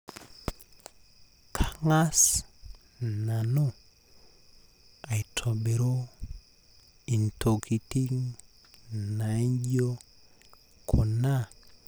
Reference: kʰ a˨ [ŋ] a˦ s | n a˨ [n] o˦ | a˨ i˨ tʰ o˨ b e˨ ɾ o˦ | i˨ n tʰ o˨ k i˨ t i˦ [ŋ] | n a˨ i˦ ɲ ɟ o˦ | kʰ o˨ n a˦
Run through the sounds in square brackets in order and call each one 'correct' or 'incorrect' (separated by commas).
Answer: correct, correct, correct